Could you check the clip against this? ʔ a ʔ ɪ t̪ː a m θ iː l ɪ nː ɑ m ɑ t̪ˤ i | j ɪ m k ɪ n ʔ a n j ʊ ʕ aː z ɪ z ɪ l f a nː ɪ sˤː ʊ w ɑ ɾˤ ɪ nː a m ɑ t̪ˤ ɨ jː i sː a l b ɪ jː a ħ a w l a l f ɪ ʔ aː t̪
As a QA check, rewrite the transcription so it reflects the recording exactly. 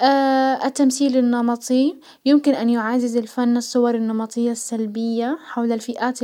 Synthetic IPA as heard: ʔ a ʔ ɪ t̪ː a m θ iː l ɪ nː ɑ m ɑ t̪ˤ i | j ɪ m k ɪ n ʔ a n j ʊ ʕ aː z ɪ z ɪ l f a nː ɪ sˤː ʊ w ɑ ɾˤ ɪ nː ɑ m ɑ t̪ˤ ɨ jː a sː a l b ɪ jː a ħ a w l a l f ɪ ʔ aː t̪